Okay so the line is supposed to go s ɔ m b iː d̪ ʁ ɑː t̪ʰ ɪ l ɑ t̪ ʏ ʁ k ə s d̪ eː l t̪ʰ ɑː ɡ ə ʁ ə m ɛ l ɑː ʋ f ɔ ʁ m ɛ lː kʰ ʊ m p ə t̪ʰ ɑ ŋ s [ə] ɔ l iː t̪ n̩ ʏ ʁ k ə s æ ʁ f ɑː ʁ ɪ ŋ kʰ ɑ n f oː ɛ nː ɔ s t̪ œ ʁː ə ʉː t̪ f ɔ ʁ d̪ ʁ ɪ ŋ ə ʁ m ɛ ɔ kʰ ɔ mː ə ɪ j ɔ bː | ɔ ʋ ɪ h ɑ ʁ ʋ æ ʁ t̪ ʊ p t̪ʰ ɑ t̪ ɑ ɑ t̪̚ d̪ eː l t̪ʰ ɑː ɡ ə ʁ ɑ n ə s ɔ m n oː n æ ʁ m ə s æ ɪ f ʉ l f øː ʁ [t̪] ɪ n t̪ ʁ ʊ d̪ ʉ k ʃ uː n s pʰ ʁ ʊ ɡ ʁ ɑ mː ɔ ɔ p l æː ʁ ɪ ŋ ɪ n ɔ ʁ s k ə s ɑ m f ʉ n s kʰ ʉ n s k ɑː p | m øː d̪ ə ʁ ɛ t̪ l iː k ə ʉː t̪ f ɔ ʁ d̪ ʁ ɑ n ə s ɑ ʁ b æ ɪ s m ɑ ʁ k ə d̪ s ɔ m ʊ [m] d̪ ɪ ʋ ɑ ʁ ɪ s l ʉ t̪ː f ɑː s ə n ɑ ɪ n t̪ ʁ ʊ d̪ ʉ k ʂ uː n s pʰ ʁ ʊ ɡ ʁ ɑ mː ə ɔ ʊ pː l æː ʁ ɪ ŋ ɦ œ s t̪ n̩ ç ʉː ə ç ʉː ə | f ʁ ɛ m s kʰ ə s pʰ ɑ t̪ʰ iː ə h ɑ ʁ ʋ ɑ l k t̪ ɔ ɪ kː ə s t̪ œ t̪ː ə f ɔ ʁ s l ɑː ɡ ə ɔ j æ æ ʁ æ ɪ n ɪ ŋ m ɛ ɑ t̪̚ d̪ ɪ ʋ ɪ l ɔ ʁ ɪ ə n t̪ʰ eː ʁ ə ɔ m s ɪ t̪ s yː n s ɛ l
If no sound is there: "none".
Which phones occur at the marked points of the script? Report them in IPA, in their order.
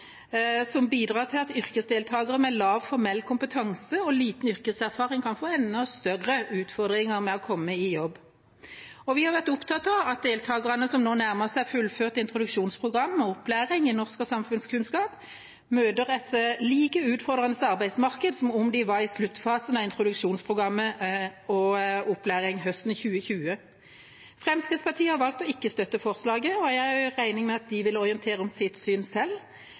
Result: ə, t̪, m

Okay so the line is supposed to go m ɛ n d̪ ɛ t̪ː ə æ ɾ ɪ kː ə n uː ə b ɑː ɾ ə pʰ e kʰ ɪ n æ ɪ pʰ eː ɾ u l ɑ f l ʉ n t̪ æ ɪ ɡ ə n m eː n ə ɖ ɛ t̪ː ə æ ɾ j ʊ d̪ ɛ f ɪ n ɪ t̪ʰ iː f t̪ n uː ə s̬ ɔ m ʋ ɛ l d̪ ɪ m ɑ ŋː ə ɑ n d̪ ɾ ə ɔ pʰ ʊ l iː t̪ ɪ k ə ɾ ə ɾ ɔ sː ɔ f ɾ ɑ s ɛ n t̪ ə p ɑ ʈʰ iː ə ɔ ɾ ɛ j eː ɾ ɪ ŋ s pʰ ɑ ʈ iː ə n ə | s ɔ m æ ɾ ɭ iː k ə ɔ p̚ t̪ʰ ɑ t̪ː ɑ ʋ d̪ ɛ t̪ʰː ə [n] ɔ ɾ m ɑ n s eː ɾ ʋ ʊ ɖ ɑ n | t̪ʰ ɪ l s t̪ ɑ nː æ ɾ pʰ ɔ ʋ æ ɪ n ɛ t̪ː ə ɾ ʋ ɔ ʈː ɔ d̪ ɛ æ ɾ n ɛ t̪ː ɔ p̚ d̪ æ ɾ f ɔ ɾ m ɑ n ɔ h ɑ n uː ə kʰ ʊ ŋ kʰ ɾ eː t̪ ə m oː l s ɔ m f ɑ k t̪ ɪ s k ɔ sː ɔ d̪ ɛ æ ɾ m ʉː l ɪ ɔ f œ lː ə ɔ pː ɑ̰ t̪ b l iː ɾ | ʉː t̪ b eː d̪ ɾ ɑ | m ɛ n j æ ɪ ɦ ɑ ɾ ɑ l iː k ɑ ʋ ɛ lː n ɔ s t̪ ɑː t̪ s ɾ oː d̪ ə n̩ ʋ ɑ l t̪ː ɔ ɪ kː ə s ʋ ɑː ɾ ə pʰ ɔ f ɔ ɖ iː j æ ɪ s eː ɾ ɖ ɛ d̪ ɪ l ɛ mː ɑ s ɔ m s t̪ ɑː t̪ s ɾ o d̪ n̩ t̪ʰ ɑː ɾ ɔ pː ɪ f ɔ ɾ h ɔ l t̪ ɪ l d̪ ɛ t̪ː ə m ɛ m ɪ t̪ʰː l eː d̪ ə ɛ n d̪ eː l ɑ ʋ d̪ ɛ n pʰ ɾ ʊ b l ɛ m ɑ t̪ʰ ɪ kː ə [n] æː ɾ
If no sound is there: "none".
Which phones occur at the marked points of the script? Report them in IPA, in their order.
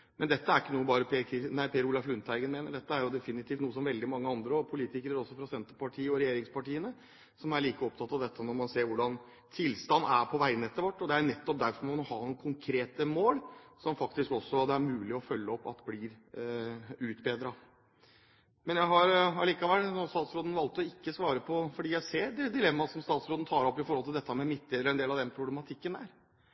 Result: n, n

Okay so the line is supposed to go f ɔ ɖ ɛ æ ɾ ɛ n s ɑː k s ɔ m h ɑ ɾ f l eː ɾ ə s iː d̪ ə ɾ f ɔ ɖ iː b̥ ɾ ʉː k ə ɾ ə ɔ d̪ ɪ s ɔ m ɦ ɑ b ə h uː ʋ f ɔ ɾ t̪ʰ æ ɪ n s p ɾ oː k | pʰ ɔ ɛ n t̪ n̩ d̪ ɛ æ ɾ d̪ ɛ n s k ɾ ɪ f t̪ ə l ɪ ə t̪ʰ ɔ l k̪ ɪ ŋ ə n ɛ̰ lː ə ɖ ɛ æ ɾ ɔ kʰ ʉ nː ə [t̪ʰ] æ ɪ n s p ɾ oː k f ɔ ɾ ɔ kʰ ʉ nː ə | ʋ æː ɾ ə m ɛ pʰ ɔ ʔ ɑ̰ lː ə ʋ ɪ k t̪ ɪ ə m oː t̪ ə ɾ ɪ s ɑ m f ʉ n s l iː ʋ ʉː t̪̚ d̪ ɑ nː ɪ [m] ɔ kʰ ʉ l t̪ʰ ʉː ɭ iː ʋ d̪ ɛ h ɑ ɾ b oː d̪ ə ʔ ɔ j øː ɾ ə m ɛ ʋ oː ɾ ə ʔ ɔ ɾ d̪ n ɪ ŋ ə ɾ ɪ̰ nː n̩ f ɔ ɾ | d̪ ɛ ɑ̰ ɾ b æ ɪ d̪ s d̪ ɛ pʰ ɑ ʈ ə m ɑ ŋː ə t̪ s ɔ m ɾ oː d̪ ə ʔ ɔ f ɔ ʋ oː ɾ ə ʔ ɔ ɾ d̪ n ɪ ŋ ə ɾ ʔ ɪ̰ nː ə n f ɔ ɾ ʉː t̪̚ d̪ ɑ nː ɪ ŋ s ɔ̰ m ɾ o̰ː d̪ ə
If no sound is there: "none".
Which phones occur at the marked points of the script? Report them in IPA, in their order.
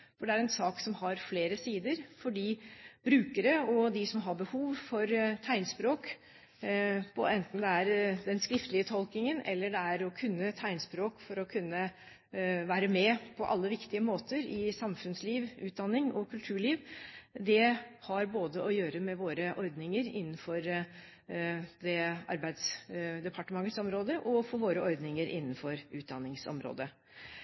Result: t̪ʰ, ŋ

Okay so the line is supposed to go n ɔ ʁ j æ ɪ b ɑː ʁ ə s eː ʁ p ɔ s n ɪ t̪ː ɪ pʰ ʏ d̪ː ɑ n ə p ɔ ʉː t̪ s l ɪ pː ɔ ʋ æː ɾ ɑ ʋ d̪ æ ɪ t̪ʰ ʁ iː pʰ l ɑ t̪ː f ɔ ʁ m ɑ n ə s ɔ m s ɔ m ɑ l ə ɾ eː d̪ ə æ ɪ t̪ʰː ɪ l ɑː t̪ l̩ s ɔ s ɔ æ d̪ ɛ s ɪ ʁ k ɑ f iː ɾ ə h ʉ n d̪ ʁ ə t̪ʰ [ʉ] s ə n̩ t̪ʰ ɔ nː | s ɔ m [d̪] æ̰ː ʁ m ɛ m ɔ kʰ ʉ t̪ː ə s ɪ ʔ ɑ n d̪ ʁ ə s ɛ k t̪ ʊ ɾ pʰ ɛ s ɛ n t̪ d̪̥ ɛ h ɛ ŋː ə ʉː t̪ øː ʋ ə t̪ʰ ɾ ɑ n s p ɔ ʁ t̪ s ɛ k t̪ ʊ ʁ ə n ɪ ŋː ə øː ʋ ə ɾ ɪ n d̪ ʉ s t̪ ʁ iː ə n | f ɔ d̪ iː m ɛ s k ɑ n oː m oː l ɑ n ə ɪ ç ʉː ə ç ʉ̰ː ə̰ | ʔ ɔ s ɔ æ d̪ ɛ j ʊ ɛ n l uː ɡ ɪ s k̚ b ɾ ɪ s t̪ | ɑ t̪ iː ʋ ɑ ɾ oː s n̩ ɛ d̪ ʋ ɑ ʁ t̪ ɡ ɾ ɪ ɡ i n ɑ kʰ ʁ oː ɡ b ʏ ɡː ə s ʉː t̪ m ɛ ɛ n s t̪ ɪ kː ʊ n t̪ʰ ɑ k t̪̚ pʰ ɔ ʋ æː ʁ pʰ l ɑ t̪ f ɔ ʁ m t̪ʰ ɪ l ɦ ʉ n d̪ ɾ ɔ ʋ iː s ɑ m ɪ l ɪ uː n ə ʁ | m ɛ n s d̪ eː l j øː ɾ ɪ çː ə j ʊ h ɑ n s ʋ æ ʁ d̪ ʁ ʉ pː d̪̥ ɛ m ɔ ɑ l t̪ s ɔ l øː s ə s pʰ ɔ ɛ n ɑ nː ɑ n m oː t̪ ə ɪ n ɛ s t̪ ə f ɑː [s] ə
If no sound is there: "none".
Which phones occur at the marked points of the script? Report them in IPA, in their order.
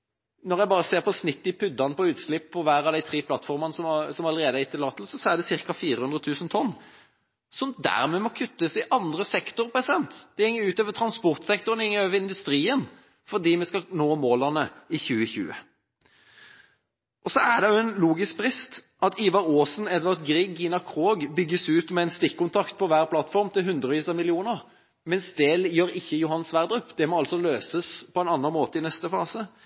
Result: ʉː, d̪, s

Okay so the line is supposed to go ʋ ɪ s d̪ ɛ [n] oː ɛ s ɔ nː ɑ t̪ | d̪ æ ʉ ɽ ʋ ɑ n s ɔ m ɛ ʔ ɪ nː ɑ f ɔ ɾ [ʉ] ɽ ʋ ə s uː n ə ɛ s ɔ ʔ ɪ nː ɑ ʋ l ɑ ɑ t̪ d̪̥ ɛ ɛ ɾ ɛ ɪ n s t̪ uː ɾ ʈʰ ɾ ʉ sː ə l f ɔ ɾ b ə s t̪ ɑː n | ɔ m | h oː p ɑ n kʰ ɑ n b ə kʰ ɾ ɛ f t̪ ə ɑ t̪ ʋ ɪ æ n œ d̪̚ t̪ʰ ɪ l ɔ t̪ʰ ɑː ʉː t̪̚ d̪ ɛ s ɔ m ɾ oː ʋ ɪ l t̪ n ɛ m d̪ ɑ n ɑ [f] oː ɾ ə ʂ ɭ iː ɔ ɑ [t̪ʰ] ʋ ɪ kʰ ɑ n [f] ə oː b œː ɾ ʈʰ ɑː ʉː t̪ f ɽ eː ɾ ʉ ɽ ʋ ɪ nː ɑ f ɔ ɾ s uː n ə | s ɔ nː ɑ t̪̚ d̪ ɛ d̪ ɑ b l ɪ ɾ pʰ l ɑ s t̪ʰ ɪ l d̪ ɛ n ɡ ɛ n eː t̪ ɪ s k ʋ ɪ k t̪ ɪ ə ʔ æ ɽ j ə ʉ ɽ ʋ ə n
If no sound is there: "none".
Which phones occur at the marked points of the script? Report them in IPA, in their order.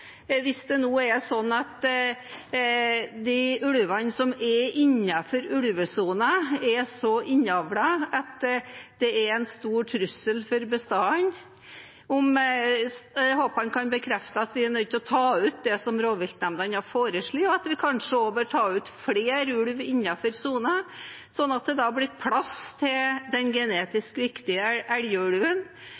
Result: n, ʉ, f, t̪, ʂ

